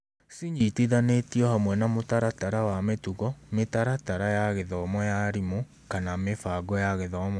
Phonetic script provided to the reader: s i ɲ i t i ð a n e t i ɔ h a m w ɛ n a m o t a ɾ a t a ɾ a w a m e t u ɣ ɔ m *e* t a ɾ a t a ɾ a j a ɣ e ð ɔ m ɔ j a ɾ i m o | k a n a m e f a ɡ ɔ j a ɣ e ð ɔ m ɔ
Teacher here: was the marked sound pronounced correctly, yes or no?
yes